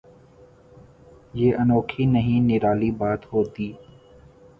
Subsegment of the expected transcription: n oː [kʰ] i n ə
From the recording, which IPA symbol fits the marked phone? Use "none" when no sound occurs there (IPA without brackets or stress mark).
kʰ